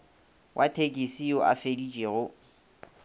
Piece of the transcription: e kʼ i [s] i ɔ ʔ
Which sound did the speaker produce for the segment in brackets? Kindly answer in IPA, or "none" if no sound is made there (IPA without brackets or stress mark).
s